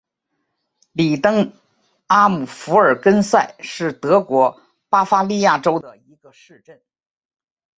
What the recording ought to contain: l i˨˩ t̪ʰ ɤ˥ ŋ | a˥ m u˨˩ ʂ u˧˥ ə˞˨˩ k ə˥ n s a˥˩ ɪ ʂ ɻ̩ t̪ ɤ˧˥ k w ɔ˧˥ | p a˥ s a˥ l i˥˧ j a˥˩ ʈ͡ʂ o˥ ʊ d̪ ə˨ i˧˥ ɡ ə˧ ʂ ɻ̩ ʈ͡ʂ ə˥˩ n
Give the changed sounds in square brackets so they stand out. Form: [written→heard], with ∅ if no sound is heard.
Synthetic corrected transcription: l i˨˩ [t̪ʰ→t̪] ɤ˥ ŋ | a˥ m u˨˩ [ʂ→f] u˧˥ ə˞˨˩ k ə˥ n s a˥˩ ɪ ʂ ɻ̩ t̪ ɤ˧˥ k w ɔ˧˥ | p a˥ [s→f] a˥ l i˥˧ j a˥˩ ʈ͡ʂ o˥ ʊ d̪ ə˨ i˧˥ ɡ ə˧ ʂ ɻ̩ ʈ͡ʂ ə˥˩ n

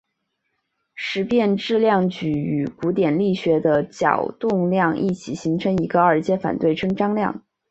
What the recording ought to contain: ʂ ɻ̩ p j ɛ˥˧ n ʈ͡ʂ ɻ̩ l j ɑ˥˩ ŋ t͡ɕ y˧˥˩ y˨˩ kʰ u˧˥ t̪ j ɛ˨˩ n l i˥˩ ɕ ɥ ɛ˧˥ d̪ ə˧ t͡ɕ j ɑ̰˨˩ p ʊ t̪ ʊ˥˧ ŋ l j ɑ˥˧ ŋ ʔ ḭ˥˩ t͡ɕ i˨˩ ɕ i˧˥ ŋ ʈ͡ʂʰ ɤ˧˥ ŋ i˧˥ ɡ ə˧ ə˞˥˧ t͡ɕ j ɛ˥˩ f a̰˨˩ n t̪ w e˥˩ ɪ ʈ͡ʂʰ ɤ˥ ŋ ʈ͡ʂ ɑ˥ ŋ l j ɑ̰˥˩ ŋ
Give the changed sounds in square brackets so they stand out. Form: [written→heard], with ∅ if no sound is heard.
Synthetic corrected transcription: ʂ ɻ̩ p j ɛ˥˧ n ʈ͡ʂ ɻ̩ l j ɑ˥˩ ŋ t͡ɕ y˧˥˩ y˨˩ [kʰ→k] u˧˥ t̪ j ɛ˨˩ n l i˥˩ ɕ ɥ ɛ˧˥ d̪ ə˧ t͡ɕ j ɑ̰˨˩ [p→∅] ʊ t̪ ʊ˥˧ ŋ l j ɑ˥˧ ŋ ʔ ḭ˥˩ [t͡ɕ→t͡ɕʰ] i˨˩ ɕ i˧˥ ŋ ʈ͡ʂʰ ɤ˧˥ ŋ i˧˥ ɡ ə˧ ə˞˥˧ t͡ɕ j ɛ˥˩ f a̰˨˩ n t̪ w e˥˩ ɪ ʈ͡ʂʰ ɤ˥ ŋ ʈ͡ʂ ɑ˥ ŋ l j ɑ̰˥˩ ŋ

